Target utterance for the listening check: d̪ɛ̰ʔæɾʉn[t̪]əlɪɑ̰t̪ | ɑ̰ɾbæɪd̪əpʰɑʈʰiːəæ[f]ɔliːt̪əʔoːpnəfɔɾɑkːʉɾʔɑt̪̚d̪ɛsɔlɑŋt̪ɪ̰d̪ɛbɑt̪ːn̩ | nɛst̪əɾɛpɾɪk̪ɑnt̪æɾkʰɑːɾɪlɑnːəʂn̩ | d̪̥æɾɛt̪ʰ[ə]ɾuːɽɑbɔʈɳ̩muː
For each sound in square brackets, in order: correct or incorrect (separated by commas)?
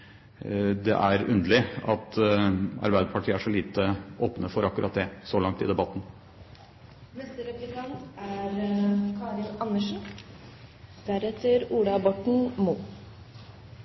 incorrect, incorrect, correct